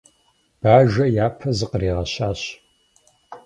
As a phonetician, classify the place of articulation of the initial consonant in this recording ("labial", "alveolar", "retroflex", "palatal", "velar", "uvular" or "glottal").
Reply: labial